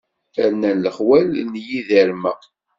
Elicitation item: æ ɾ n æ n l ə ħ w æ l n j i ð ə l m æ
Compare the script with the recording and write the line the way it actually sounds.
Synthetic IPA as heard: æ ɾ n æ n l ə χ w æ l n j i ð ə ɾ m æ